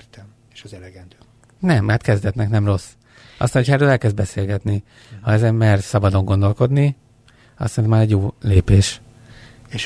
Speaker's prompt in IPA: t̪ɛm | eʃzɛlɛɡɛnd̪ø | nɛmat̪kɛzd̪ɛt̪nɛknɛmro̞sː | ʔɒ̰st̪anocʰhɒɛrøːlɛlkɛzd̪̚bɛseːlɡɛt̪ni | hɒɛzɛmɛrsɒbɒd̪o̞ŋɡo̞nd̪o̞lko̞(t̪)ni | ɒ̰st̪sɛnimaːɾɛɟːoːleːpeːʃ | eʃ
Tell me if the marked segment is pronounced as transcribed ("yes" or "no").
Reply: no